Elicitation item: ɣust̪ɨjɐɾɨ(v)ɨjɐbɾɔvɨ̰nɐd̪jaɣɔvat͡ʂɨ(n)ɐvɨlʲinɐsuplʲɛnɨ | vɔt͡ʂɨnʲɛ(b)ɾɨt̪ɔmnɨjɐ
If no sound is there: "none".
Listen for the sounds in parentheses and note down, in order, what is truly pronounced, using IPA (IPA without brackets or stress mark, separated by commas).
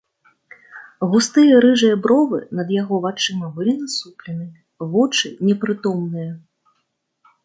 ʐ, m, p